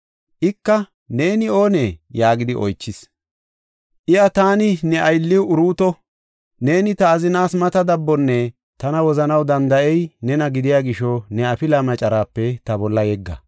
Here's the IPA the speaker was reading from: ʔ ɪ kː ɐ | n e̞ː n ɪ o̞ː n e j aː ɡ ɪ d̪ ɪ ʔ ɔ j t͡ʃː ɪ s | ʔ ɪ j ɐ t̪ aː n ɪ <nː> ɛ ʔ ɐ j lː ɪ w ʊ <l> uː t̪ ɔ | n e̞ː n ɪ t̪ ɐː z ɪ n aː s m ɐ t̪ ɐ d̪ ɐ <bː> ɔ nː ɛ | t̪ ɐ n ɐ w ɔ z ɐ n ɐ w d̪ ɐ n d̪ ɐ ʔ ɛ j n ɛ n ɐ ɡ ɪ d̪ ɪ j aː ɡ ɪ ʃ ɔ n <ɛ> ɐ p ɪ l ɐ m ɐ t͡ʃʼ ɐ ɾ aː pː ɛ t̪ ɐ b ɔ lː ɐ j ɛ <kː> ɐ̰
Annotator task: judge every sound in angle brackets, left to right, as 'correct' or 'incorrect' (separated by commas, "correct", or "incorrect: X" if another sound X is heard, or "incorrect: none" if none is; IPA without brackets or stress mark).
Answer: incorrect: n, incorrect: ɾ, correct, correct, incorrect: ɡː